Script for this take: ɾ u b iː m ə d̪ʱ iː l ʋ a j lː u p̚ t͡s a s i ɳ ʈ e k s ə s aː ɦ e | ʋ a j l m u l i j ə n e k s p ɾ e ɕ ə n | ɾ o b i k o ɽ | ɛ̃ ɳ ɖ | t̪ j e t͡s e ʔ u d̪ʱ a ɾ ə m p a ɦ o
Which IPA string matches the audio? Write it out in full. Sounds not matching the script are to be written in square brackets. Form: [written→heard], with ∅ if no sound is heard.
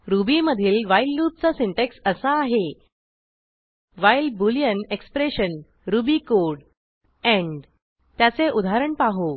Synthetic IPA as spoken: ɾ u b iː m ə d̪ʱ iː l ʋ a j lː u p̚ t͡s a s i ɳ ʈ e k s ə s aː ɦ e | ʋ a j l [m→b] u l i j ə n e k s p ɾ e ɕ ə n | ɾ [o→u] b i k o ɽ | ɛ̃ ɳ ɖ | t̪ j [e→a] t͡s e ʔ u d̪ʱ a ɾ ə [m→ɳ] p a ɦ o